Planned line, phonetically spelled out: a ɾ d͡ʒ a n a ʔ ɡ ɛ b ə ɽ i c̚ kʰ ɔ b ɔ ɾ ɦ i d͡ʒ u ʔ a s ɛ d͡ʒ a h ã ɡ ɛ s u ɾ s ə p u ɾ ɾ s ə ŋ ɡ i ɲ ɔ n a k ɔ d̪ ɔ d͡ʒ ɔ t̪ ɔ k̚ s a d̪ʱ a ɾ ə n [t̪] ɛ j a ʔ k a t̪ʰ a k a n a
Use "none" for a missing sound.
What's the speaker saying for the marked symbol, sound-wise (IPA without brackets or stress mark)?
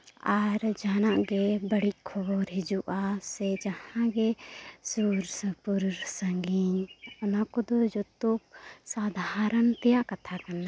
t̪